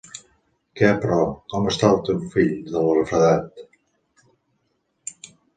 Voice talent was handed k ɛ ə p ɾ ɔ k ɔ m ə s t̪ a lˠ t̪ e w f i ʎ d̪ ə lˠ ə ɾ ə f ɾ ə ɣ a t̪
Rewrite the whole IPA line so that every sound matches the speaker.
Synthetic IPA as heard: k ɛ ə p ɾ ɔ k ɔ m ə s t̪ a lˠ t̪ e w f i ʎ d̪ ə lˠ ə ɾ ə f ɾ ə ð a t̪